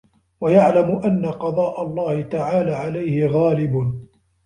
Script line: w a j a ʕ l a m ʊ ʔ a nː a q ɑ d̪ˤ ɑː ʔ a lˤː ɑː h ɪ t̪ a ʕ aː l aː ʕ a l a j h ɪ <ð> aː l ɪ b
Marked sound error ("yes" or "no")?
yes